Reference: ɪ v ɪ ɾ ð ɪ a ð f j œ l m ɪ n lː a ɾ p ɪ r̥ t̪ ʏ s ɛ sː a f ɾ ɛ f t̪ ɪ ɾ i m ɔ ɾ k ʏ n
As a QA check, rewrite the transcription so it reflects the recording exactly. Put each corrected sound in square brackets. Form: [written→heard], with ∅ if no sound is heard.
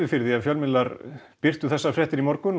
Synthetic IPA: ɪ [v→f] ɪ ɾ ð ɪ a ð f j œ l m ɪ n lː a ɾ p ɪ r̥ t̪ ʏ [s→θ] ɛ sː a f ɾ ɛ [f→h] t̪ ɪ ɾ i m ɔ ɾ k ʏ n